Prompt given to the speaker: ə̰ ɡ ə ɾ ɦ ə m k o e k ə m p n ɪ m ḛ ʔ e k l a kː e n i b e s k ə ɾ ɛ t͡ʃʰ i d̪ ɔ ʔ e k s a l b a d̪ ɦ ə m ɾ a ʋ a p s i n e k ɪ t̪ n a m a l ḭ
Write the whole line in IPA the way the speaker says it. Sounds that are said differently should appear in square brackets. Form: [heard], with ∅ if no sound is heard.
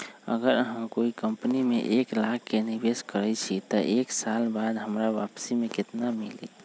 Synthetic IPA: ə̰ ɡ ə ɾ ɦ ə m k o [i] k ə m p n [i] m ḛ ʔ e k l a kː e n i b e s k ə ɾ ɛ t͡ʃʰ i [t̪] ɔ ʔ e k s a l b a d̪ ɦ ə m ɾ a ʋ a p s i [m] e k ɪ t̪ n a m [i] l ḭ